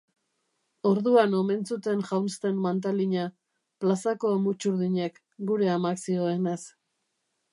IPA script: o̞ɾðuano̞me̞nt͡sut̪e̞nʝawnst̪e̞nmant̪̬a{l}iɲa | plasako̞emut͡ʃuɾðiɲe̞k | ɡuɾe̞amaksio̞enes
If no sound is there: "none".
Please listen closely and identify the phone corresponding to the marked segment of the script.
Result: l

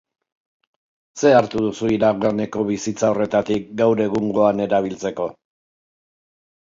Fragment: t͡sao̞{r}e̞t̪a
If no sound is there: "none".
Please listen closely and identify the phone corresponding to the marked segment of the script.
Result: r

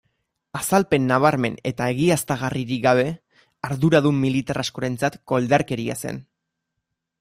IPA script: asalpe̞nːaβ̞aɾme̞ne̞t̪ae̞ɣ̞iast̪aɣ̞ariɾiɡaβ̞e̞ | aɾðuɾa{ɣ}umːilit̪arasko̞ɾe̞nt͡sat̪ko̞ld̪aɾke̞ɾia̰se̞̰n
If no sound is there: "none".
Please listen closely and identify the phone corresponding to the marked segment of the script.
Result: ð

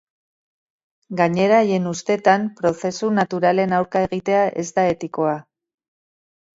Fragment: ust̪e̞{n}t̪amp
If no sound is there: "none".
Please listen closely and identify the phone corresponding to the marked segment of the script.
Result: none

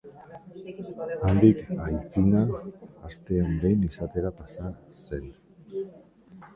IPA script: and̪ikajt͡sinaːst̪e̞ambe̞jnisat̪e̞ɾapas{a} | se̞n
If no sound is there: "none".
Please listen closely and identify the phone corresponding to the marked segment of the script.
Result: a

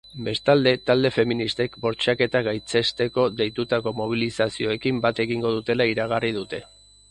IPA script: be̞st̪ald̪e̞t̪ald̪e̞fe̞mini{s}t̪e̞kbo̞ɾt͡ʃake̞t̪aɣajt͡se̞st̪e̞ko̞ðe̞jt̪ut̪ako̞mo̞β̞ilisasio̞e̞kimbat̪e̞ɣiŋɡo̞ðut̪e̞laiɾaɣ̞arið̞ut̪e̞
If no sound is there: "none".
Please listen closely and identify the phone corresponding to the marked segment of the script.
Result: s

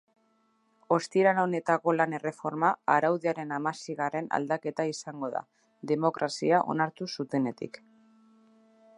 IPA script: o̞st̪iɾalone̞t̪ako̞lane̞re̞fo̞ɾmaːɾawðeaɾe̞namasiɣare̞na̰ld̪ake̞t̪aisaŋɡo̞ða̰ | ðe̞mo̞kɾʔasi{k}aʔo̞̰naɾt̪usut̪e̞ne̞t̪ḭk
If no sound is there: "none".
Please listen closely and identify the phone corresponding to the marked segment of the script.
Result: none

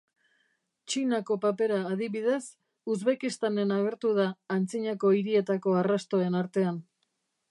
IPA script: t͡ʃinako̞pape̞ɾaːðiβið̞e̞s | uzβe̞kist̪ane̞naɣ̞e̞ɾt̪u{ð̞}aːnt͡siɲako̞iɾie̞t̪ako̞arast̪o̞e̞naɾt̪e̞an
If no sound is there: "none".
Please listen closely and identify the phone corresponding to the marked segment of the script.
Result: ð̞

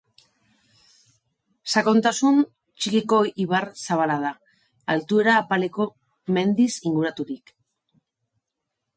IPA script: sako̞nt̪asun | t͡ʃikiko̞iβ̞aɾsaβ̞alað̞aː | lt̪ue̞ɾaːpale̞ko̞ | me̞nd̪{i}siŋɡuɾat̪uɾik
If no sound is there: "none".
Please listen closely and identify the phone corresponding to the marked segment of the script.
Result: i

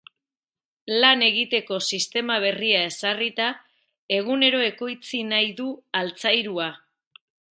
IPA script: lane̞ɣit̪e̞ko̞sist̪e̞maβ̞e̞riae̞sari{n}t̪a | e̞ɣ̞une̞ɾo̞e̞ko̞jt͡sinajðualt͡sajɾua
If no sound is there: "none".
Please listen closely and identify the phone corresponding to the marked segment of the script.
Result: none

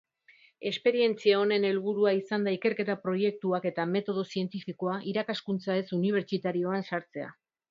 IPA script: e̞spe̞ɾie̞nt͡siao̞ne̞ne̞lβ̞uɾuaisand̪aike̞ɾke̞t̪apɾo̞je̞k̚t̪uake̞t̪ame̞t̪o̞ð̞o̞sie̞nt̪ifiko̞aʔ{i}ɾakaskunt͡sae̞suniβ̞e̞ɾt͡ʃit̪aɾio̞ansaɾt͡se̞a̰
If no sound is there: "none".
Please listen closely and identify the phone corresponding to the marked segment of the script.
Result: i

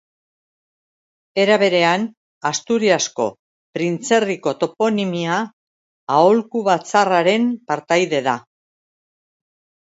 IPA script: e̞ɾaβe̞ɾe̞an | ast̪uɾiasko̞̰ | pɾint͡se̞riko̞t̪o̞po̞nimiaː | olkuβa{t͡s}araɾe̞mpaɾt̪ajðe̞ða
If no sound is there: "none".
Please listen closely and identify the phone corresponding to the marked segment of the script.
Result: t͡s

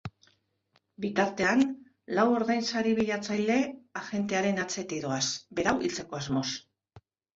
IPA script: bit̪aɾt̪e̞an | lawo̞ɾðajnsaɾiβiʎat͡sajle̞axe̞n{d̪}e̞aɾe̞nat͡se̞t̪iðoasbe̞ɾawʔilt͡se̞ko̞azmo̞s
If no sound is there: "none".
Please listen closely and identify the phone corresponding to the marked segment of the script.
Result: t̪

